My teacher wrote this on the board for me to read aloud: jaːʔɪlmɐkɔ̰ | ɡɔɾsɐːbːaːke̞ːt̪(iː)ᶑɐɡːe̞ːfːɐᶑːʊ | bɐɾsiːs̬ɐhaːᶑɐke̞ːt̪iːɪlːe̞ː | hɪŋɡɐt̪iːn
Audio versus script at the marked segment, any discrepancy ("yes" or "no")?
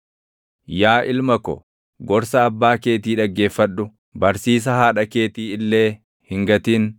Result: no